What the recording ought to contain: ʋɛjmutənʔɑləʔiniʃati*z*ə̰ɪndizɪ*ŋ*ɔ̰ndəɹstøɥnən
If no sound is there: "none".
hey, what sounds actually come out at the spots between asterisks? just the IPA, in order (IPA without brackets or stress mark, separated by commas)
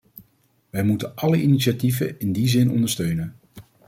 v, n